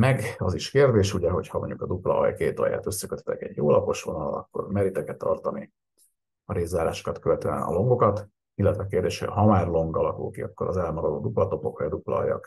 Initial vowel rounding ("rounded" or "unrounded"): unrounded